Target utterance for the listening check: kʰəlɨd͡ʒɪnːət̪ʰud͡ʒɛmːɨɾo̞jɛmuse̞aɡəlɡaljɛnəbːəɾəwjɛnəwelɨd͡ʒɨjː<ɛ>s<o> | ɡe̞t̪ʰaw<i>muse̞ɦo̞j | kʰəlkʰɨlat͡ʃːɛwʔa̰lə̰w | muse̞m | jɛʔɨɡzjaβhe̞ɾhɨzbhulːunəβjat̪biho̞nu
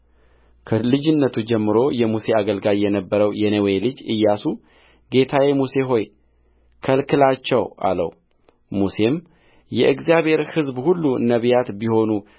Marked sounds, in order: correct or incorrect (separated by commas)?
incorrect, incorrect, incorrect